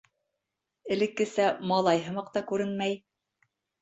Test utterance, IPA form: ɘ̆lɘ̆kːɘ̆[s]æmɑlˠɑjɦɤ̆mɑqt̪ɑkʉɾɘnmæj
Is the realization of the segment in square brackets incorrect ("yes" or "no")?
no